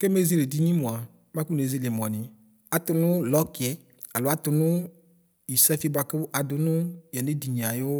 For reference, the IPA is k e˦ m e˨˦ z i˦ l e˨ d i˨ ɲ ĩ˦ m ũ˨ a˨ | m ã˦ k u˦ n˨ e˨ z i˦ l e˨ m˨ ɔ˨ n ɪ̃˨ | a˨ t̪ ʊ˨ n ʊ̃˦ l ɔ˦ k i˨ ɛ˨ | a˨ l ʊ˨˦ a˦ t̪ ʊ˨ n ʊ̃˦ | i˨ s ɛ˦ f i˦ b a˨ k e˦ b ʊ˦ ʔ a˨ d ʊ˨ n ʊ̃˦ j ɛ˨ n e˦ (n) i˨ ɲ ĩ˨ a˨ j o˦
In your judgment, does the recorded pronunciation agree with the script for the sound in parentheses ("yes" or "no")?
no